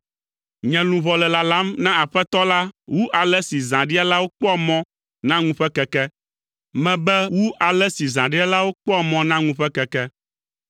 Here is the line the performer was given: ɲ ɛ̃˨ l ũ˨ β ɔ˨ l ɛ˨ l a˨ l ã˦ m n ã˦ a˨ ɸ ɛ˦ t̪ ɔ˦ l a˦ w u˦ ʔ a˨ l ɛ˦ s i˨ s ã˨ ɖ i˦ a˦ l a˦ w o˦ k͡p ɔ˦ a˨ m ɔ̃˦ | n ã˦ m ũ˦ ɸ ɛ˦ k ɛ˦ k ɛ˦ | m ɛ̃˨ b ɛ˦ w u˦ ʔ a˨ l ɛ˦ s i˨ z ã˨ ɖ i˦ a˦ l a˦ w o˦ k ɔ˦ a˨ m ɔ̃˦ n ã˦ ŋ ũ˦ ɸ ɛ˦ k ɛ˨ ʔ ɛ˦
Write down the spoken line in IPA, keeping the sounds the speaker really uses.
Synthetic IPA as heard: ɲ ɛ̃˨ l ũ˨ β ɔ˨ l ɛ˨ l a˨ l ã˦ m n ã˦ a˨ ɸ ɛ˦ t̪ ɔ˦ l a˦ w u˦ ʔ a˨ l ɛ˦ s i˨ z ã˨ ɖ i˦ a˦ l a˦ w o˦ k͡p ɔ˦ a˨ m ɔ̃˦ | n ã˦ ŋ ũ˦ ɸ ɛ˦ k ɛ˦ k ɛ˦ | m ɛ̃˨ b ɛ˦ w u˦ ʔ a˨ l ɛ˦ s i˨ z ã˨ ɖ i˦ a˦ l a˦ w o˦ k͡p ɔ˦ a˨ m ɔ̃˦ n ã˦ ŋ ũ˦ ɸ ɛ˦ k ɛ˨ k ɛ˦